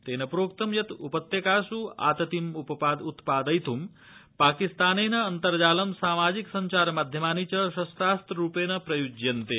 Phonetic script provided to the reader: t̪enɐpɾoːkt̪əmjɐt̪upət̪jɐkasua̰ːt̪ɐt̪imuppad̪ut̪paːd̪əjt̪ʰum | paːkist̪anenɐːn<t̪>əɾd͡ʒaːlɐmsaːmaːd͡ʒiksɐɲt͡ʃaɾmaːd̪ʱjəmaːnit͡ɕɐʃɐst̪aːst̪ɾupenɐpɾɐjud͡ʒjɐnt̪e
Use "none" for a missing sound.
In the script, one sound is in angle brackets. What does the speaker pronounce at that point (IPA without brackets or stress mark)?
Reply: t̪